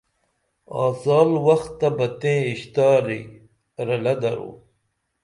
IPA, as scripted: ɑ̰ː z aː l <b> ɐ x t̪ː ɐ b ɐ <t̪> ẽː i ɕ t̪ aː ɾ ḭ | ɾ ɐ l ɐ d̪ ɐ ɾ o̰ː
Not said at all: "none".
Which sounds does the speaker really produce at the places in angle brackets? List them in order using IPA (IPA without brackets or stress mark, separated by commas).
w, t̪